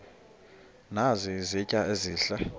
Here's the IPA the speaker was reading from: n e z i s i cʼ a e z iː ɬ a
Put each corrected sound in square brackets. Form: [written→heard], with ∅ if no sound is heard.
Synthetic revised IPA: n [e→a] z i [s→z] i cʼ a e z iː ɬ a